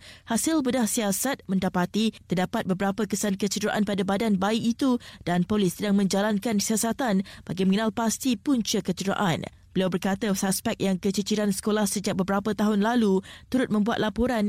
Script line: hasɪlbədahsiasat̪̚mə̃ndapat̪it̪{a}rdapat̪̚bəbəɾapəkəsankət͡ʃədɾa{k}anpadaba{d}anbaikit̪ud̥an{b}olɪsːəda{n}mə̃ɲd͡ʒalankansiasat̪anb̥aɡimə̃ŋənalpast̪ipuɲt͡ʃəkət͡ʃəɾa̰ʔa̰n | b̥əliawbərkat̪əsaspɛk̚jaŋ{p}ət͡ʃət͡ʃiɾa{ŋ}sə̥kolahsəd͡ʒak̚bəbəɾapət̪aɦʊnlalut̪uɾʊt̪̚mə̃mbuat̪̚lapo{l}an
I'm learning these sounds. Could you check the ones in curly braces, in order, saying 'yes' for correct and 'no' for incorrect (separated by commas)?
no, no, yes, no, no, no, no, no